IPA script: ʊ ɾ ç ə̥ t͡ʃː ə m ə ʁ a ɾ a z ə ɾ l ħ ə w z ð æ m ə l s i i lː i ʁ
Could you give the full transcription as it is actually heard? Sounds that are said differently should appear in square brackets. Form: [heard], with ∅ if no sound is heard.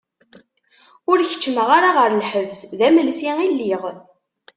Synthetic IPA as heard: ʊ ɾ ç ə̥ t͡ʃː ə m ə ʁ a ɾ a [ʁ] ə ɾ l ħ ə [v] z ð æ m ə l s i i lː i ʁ